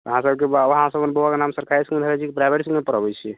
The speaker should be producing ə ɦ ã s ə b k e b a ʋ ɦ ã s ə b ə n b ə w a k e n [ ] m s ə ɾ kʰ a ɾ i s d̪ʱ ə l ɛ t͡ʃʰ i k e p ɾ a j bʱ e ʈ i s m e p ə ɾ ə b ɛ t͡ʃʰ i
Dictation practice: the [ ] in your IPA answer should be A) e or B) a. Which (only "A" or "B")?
B